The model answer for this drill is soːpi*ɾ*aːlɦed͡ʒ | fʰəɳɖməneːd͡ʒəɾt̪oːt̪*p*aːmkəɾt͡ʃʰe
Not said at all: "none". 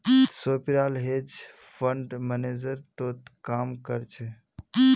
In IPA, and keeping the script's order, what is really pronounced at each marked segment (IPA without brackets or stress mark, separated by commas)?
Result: ɾ, k